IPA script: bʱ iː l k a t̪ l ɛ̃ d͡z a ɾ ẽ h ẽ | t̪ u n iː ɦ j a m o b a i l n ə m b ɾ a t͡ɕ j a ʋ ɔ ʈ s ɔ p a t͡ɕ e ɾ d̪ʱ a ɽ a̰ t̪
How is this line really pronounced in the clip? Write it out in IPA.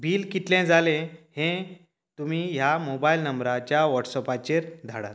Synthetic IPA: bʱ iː l k i t̪ l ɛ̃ d͡z a l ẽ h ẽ | t̪ u m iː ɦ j a m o b a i l n ə m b ɾ a t͡ɕ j a ʋ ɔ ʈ s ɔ p a t͡ɕ e ɾ d̪ʱ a ɽ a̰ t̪